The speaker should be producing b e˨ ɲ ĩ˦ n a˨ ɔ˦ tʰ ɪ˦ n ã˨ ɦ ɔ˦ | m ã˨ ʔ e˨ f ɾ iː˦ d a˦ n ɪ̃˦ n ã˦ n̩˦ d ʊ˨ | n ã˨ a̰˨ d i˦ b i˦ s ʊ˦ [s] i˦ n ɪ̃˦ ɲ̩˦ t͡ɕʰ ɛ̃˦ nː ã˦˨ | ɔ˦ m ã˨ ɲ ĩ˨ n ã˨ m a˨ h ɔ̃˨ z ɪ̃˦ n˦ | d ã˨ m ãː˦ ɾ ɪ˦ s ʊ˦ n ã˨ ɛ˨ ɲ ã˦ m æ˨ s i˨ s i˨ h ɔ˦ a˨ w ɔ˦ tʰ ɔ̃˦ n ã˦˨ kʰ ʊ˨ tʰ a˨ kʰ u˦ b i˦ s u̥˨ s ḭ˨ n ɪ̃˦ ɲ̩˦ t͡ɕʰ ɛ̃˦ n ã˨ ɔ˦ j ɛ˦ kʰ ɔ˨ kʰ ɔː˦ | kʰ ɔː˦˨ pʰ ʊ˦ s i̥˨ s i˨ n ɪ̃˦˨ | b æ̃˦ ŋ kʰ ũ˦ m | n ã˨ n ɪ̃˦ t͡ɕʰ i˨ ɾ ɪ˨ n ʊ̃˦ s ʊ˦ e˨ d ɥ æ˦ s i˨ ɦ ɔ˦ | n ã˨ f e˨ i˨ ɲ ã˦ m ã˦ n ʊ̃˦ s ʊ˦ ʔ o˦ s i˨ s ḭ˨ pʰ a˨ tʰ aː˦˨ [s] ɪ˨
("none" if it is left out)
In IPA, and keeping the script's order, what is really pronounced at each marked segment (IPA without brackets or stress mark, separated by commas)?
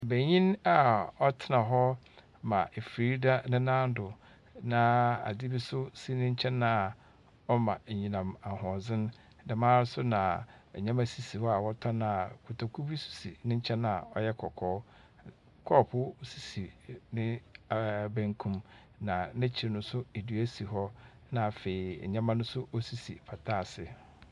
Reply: s, s